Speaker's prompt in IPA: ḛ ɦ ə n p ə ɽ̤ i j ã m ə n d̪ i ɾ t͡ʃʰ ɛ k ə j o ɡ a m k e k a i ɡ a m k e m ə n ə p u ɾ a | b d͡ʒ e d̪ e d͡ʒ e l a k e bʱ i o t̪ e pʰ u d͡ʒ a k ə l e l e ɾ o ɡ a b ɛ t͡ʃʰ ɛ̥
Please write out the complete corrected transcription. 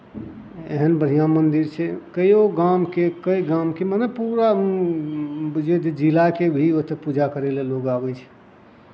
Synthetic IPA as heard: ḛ ɦ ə n b ə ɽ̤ i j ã m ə n d̪ i ɾ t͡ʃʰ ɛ k ə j o ɡ a m k e k ə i ɡ a m k e m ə n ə p u ɾ a | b d͡ʒ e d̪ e d͡ʒ i l a k e bʱ i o t̪ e p u d͡ʒ a k ə ɾ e l e l o ɡ a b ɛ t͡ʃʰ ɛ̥